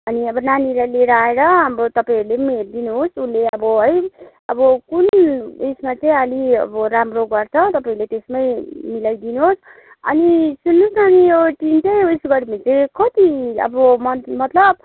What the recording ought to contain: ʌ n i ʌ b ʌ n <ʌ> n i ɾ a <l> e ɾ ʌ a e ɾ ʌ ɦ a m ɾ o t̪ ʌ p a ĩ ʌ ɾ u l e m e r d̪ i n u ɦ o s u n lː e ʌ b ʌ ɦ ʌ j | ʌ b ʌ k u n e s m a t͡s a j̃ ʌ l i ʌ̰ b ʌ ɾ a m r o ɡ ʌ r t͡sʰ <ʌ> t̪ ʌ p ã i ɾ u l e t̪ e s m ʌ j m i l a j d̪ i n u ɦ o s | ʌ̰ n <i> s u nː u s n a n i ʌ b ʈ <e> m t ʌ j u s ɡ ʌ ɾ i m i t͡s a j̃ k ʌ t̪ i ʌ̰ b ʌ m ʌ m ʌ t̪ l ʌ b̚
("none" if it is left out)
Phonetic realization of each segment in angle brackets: a, l, ʌ, i, i

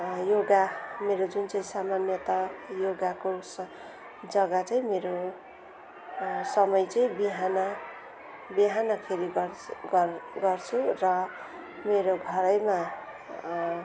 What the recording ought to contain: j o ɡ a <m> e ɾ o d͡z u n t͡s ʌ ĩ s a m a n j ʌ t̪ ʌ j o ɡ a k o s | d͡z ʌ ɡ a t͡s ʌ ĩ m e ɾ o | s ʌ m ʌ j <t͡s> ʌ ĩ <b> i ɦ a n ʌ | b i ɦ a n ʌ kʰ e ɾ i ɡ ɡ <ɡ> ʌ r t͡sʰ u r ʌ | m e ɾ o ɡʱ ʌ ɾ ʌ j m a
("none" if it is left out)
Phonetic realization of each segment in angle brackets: m, t͡s, b, ɡ

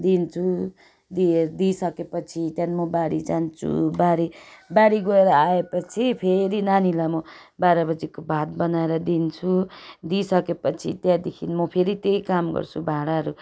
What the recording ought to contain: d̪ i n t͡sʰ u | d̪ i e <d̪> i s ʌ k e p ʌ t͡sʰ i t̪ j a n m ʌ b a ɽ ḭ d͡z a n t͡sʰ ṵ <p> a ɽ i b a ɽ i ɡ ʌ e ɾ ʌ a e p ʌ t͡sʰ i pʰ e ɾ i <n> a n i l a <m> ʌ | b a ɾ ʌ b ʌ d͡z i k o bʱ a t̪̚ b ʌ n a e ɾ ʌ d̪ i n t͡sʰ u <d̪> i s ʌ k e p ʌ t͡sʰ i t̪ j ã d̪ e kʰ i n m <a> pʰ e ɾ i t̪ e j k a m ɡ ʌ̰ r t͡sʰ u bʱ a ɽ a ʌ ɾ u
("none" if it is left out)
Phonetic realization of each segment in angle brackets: d̪, b, n, m, d̪, ʌ

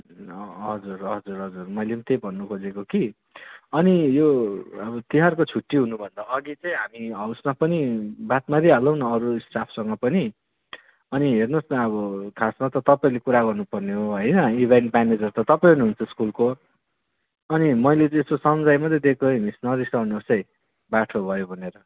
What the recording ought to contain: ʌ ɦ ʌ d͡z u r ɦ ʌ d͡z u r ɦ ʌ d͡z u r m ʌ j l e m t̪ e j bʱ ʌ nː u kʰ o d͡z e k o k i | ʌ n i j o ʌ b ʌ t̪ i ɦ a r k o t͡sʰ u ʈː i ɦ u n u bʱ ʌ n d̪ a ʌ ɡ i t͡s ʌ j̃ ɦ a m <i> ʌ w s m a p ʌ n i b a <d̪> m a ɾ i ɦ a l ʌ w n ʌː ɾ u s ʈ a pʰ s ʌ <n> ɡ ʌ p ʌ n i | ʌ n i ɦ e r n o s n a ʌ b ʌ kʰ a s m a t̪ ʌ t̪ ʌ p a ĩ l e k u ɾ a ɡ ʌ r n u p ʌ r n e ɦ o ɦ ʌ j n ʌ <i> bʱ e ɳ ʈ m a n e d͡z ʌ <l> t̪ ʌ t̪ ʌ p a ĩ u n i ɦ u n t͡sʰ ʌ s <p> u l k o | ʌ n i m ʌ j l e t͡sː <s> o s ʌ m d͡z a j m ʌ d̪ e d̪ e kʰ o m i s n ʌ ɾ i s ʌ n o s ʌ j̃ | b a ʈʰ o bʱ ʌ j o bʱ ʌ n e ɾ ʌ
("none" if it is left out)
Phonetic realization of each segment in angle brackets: i, t̪, ŋ, i, r, k, s

